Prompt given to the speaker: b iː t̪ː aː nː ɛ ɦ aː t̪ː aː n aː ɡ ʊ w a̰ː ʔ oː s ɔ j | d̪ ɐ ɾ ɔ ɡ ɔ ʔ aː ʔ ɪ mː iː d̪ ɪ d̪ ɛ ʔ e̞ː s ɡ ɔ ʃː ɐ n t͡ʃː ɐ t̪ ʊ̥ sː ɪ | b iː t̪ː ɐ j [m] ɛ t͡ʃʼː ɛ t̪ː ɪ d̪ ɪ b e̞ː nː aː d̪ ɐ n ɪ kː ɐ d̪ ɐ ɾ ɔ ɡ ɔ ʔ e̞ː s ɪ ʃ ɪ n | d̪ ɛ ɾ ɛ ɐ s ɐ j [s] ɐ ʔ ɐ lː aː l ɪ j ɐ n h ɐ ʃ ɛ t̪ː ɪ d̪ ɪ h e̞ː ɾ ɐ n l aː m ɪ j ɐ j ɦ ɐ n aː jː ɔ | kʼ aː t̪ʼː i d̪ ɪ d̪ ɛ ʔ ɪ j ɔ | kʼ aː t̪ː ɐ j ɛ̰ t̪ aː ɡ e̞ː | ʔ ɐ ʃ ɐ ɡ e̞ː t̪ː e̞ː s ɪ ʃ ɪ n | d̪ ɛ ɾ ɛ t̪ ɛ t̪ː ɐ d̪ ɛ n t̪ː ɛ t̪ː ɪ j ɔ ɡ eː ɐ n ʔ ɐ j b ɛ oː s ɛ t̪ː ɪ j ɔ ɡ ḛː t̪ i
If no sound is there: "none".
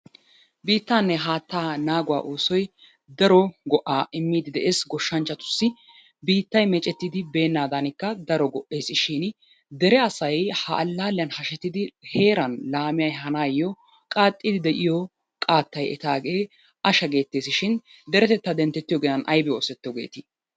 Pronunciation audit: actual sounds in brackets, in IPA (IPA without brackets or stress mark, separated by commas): m, h